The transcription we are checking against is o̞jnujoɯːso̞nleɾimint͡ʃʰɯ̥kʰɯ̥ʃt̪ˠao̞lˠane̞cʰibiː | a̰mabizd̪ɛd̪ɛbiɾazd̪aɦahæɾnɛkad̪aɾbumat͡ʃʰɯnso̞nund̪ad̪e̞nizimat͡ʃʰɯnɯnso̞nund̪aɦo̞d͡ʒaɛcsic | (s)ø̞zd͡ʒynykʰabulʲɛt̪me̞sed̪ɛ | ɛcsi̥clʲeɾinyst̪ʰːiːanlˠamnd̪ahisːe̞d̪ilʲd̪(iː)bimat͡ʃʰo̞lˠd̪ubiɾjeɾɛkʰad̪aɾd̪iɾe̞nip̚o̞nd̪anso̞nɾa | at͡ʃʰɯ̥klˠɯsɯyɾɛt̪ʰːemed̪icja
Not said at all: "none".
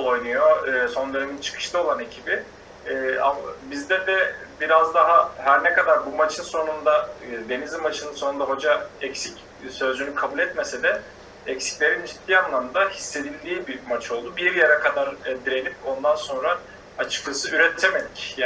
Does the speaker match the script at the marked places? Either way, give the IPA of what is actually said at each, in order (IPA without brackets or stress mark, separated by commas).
s, iː